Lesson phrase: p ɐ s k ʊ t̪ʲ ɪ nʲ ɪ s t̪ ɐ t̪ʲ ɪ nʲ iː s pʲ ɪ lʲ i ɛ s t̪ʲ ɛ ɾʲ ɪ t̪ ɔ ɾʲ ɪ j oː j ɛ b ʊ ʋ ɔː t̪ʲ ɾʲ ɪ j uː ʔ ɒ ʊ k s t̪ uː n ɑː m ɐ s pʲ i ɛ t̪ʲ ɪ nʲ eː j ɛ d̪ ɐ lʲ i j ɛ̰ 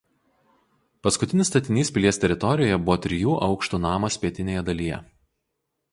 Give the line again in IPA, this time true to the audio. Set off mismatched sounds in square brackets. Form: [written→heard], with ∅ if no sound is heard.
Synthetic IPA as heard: p ɐ s k ʊ t̪ʲ ɪ nʲ ɪ s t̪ ɐ t̪ʲ ɪ nʲ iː s pʲ ɪ lʲ i ɛ s t̪ʲ ɛ ɾʲ ɪ t̪ ɔ ɾʲ ɪ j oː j ɛ b ʊ ʋ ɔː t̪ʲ ɾʲ ɪ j uː ʔ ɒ ʊ k [s→ʃ] t̪ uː n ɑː m ɐ s pʲ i ɛ t̪ʲ ɪ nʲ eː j ɛ d̪ ɐ lʲ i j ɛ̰